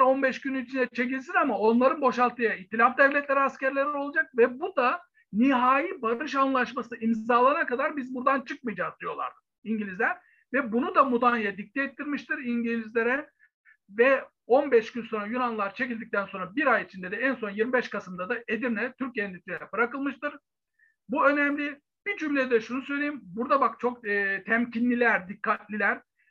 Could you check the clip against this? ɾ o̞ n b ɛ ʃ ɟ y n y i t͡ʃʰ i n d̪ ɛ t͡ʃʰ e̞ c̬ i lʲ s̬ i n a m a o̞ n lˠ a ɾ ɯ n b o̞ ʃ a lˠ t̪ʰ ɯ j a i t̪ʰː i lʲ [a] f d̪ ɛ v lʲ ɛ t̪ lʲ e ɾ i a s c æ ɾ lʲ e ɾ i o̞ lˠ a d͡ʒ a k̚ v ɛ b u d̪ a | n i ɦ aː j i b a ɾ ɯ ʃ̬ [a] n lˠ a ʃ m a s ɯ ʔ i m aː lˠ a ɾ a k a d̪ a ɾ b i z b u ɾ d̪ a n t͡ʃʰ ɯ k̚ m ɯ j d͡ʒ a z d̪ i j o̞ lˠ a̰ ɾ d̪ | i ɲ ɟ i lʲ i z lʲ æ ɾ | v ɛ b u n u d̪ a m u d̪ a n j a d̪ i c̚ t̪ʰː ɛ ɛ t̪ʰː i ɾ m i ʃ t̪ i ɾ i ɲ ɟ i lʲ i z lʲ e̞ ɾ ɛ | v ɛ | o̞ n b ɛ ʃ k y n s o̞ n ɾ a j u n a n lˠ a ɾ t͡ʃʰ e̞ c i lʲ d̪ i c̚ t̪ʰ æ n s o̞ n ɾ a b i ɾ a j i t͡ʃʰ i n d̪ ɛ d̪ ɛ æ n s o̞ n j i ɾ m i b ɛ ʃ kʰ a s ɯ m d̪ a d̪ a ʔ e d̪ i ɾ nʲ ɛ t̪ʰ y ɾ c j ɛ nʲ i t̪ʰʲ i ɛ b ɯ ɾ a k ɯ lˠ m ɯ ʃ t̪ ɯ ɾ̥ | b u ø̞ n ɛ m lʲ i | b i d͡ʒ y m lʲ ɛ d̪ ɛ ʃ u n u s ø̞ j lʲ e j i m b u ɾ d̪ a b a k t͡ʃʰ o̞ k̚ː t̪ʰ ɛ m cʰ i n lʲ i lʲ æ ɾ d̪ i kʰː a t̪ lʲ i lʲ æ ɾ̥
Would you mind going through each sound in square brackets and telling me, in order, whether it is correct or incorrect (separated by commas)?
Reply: correct, correct